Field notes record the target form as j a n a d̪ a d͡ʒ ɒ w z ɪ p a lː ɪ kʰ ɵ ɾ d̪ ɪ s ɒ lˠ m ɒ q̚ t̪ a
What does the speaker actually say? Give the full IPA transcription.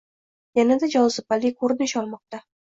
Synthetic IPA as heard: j a n a d̪ a d͡ʒ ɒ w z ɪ p a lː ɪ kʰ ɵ ɾ d̪ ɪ ʃ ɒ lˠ m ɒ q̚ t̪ a

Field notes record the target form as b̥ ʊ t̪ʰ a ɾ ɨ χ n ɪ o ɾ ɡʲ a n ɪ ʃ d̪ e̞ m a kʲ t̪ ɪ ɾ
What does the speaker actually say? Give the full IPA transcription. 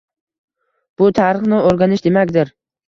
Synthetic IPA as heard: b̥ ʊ t̪ʰ a ɾ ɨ χ n ɪ o ɾ ɡʲ a n ɪ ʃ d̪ e̞ m a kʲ d̪ ɪ ɾ

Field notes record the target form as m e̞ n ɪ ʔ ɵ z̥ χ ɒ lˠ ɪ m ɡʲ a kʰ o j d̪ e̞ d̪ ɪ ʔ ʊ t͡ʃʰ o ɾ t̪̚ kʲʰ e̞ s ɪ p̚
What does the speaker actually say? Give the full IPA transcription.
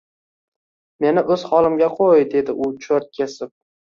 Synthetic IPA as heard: m e̞ n ɪ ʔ ɵ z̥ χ ɒ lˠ ɪ m ɡʲ a qʰ o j d̪ e̞ d̪ ɪ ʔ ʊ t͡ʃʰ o ɾ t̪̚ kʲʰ e̞ s ɪ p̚

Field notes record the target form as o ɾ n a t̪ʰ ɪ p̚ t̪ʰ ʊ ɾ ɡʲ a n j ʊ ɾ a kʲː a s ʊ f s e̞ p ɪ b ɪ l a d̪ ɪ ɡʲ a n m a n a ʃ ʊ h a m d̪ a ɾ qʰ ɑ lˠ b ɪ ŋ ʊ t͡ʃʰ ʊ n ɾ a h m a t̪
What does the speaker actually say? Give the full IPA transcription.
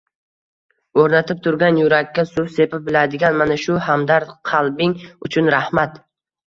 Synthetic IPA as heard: o ɾ n a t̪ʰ ɪ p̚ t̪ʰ ʊ ɾ ɡʲ a n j ʊ ɾ a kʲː a s ʊ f s e̞ p ɪ b ɪ l a d̪ ɪ ɡʲ a n m a n a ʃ ʊ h a m d̪ a ɾ qʰ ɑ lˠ b ɪ ŋ ʊ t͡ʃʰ ʊ n ɾ a h m a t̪

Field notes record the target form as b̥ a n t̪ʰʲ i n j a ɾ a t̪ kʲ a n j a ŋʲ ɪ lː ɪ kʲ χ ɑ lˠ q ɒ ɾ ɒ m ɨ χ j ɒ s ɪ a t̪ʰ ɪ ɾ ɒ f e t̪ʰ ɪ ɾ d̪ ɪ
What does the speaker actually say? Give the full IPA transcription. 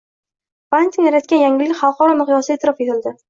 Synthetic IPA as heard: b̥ a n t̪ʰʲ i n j a ɾ a t̪ kʲ a n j a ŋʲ ɪ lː ɪ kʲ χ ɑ lˠ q ɒ ɾ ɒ m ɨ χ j ɒ s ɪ e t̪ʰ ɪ ɾ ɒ f e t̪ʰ ɪ l d̪ ɪ

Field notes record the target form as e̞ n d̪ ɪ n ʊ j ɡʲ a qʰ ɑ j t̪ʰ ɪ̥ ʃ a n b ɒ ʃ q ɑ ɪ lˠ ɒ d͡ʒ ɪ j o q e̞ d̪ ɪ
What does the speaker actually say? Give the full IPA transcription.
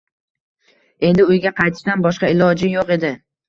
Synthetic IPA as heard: e̞ n d̪ ɪ ʊ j ɡʲ a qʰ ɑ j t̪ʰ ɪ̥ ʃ a n b ɒ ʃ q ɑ ɪ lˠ ɒ d͡ʒ ɪ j o q e̞ d̪ ɪ

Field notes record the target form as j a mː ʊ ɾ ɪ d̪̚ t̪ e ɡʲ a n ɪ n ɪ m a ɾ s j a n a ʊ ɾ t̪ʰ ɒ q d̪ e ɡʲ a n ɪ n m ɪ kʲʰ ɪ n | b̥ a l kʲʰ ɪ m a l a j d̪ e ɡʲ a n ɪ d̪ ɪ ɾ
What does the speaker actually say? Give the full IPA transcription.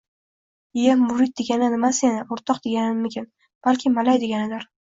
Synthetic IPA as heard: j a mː ʊ ɾ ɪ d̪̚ d̪ e ɡʲ a n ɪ n ɪ m a s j a n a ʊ ɾ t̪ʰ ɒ q d̪ e ɡʲ a n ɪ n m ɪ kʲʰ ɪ n | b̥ a l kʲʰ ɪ m a l a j d̪ e ɡʲ a n ɪ d̪ ɪ ɾ

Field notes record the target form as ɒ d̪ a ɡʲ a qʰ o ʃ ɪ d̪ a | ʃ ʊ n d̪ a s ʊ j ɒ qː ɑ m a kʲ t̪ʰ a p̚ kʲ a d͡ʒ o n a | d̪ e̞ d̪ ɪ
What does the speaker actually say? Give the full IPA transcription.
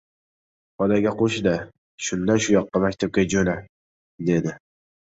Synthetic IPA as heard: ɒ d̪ a ɡʲ a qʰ o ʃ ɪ d̪ a | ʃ ʊ n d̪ a ʃ ʊ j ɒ qː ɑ m a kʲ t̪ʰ a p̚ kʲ a d͡ʒ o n a | d̪ e̞ d̪ ɪ

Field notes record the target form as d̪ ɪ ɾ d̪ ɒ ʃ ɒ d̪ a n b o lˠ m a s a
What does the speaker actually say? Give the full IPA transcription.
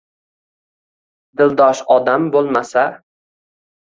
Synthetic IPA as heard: d̪ ɪ l d̪ ɒ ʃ ɒ d̪ a m b o lˠ m a s a

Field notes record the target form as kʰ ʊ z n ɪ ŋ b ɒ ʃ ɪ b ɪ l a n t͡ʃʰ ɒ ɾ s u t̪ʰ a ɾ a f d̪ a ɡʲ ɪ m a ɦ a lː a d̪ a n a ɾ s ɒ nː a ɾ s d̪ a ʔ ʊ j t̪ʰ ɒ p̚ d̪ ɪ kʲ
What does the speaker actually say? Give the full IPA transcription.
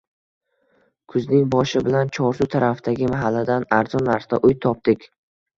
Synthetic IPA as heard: kʰ ʊ z n ɪ ŋ b ɒ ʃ ɪ b ɪ l a n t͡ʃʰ ɒ ɾ s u t̪ʰ a ɾ a f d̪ a ɡʲ ɪ m a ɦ a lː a d̪ a n a ɾ z ɒ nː a ɾ s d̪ a ʔ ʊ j t̪ʰ ɒ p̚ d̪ ɪ kʲ

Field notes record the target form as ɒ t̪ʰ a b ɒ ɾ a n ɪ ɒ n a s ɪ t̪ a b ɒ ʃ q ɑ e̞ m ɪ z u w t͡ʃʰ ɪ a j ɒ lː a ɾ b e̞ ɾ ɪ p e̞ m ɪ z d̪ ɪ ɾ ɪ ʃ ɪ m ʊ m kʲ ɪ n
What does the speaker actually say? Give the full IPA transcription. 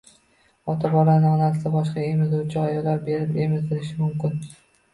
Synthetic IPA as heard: ɒ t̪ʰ a b ɒ ɾ a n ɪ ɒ n a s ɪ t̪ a b ɒ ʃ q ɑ e̞ m ɪ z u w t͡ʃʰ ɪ a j ɒ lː a ɾ b e̞ ɾ ɪ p e̞ m ɪ z d̪ ɪ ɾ ɪ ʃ ɪ m ʊ m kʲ ɪ n

